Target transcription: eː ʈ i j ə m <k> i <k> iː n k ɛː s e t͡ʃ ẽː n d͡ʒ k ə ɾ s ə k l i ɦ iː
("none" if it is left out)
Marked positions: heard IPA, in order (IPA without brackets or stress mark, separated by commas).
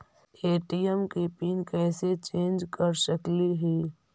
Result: k, p